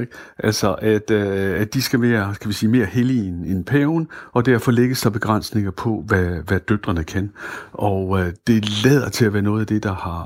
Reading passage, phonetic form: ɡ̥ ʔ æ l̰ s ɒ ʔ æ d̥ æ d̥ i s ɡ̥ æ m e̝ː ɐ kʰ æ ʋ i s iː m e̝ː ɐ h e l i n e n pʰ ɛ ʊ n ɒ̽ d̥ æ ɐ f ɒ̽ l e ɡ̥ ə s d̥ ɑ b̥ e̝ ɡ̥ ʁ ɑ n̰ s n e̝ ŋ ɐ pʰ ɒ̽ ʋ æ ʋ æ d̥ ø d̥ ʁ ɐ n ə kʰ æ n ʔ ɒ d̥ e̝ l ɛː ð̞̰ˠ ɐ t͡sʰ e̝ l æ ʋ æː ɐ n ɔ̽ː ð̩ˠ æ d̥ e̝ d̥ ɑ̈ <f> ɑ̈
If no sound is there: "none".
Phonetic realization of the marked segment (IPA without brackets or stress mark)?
h